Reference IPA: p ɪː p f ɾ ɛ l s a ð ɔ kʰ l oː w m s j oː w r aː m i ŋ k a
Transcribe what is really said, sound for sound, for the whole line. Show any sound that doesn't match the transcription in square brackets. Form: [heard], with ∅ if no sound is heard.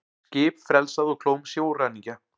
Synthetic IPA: [c] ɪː p f ɾ ɛ l s a ð ɔ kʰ l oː w m s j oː w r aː [n] i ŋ [c] a